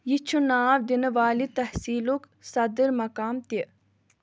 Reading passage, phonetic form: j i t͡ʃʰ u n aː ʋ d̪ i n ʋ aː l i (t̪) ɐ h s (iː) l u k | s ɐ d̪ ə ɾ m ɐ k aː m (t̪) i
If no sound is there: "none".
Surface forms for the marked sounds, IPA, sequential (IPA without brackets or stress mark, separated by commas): t̪, iː, t̪